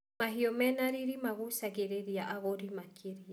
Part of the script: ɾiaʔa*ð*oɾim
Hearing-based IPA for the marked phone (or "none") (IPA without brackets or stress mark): ɣ